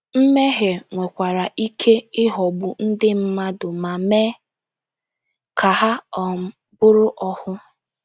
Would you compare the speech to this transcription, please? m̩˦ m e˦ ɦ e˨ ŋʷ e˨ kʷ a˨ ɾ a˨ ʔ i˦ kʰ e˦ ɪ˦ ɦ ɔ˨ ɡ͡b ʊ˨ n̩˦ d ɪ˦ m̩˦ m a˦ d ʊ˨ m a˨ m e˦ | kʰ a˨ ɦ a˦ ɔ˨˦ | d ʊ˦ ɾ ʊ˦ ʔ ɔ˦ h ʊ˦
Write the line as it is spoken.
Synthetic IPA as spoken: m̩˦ m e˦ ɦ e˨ ŋʷ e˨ kʷ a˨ ɾ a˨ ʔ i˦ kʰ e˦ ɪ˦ ɦ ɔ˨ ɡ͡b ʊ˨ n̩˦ d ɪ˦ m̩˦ m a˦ d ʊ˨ m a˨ m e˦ | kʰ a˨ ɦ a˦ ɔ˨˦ | b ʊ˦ ɾ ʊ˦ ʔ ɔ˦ h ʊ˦